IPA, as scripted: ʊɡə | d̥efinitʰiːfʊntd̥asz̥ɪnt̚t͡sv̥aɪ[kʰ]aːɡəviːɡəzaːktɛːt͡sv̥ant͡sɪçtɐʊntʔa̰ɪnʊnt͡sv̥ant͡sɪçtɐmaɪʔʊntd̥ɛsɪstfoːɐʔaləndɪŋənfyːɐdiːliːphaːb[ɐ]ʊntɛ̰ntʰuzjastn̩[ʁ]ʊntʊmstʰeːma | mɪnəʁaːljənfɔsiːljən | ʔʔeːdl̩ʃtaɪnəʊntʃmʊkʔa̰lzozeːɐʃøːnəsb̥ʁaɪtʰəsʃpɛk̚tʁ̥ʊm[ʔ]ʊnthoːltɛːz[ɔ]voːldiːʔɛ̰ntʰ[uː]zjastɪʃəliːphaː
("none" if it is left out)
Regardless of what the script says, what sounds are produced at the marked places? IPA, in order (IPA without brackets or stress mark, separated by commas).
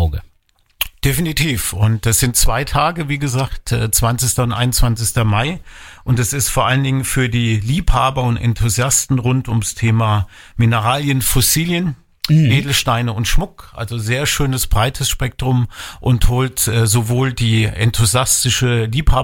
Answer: tʰ, ɐ, ʁ, ʔ, o, u